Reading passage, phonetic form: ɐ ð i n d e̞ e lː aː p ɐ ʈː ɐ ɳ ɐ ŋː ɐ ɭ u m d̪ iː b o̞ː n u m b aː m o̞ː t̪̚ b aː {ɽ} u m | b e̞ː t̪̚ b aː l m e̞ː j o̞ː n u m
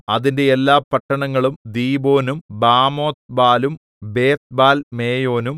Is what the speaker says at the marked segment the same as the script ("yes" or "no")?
no